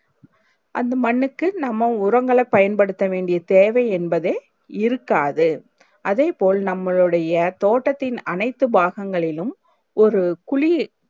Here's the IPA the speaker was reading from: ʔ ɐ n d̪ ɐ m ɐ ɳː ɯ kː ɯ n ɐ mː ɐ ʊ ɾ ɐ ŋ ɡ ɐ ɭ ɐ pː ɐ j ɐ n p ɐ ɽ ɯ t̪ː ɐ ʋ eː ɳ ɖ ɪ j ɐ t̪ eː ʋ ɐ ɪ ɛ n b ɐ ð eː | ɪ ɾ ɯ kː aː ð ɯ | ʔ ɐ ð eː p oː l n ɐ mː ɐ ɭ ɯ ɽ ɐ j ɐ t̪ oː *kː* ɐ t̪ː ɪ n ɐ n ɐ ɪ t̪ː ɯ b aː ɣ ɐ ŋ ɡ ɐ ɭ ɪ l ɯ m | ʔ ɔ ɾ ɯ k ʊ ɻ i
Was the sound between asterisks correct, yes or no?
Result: no